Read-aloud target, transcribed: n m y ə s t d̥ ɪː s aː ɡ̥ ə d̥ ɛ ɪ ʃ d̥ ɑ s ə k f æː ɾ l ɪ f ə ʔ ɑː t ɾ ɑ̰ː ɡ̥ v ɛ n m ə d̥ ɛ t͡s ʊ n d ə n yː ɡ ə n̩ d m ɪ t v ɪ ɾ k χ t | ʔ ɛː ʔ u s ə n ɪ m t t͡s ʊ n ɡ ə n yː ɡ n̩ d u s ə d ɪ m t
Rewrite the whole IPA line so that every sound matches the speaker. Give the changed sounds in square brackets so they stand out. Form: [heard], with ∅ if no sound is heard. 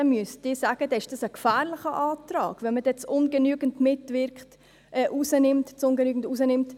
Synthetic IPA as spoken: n m y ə s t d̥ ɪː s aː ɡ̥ ə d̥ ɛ ɪ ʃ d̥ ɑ s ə k f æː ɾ l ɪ [χ] ə ʔ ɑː t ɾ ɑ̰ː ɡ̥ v ɛ n m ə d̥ ɛ t͡s ʊ n [ɡ] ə n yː ɡ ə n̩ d m ɪ t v ɪ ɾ k χ t | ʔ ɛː ʔ u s ə n ɪ m t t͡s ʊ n ɡ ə n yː ɡ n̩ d u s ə [n] ɪ m t